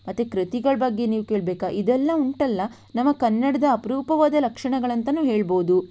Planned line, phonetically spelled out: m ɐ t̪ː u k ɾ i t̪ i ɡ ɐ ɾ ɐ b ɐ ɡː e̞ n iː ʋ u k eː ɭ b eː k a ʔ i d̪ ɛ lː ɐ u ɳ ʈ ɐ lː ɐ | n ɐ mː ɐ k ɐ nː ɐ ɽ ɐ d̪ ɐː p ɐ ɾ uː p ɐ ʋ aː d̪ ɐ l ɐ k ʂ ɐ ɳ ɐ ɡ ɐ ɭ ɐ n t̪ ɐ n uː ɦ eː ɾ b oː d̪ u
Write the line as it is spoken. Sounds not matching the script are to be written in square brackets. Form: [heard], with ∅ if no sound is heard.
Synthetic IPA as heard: m ɐ t̪ː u k ɾ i t̪ i ɡ ɐ [ɭ] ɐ b ɐ ɡː e̞ n iː ʋ u k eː ɭ b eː k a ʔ i d̪ ɛ lː ɐ u ɳ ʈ ɐ lː ɐ | n ɐ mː ɐ k ɐ nː ɐ ɽ ɐ d̪ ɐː p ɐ ɾ uː p ɐ ʋ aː d̪ ɐ l ɐ k ʂ ɐ ɳ ɐ ɡ ɐ ɭ ɐ n t̪ ɐ n uː ɦ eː [ɭ] b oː d̪ u